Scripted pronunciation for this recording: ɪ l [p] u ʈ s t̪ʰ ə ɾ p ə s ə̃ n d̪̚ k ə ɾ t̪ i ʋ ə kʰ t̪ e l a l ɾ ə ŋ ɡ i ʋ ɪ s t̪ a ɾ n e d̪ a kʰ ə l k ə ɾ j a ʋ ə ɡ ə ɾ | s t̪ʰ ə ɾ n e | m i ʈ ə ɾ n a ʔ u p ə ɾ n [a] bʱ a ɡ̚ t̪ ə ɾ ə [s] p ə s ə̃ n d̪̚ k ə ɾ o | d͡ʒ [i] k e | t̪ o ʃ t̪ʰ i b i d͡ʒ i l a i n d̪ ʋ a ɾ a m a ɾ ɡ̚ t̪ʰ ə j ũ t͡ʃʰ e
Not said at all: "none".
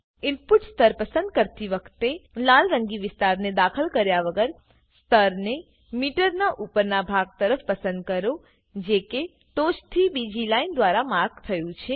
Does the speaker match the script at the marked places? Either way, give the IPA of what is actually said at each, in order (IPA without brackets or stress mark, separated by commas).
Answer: p, a, f, e